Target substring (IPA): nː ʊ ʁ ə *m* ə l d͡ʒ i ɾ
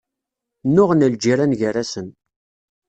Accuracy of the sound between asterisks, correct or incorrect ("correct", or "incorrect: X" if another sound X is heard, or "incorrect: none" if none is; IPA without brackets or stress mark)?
incorrect: n